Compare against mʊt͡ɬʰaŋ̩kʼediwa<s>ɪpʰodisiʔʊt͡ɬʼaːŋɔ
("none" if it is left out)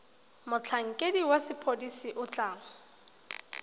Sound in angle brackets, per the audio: s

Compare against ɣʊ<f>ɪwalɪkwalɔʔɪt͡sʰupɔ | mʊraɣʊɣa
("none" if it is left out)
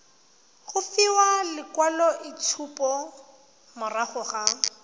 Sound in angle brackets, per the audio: f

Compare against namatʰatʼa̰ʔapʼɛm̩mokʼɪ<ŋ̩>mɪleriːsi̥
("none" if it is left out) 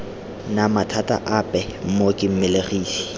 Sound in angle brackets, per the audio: m̩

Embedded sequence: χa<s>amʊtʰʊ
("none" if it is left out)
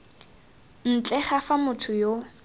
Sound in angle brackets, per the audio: f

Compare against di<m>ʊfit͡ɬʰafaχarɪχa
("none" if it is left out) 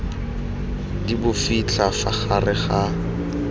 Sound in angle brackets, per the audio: b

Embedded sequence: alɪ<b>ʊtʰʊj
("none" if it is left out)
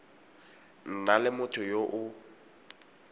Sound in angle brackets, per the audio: m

